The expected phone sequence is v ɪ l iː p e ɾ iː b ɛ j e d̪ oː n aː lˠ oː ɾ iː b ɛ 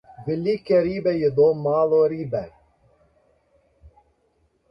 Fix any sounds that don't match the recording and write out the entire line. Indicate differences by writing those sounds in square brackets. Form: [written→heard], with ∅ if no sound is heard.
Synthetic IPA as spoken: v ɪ l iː [p→k] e ɾ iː b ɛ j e d̪ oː [n→m] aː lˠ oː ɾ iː b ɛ